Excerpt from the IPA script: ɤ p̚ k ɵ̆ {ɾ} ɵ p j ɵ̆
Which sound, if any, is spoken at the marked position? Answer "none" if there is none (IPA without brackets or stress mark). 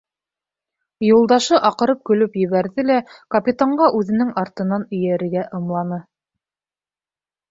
l